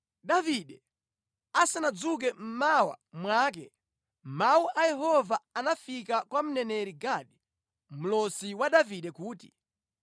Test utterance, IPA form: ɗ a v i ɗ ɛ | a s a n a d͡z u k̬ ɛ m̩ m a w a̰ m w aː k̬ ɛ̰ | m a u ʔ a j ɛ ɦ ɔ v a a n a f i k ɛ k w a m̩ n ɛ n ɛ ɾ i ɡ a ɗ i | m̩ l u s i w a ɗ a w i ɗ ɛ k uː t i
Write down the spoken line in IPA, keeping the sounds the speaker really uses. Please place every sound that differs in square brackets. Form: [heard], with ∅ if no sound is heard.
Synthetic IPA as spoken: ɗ a v i ɗ ɛ | a s a n a d͡z u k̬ ɛ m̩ m a w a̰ m w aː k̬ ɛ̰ | m a u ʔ a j ɛ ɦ ɔ v a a n a f i k [a] k w a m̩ n ɛ n ɛ ɾ i ɡ a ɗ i | m̩ l [ɔ] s i w a ɗ a [v] i ɗ ɛ k uː t i